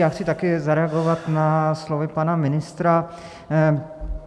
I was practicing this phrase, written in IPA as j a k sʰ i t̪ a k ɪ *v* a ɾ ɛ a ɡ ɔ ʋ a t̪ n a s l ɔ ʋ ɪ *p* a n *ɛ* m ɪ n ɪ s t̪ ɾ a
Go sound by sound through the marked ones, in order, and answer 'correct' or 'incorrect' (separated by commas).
incorrect, correct, incorrect